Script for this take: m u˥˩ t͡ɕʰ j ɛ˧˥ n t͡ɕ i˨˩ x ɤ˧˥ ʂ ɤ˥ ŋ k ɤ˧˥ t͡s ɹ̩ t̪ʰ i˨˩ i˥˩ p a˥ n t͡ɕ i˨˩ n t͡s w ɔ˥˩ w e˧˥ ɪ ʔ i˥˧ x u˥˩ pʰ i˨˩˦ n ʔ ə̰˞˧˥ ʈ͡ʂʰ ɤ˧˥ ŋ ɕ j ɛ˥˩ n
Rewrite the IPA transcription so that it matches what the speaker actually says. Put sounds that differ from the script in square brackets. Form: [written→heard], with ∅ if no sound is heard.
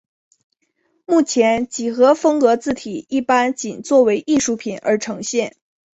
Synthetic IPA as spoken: m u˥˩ t͡ɕʰ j ɛ˧˥ n t͡ɕ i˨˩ x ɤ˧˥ [ʂ→f] ɤ˥ ŋ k ɤ˧˥ t͡s ɹ̩ t̪ʰ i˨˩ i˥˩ p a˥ n t͡ɕ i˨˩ n t͡s w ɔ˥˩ w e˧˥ ɪ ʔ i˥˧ [x→ʂ] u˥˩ pʰ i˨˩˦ n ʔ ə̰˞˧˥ ʈ͡ʂʰ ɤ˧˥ ŋ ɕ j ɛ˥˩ n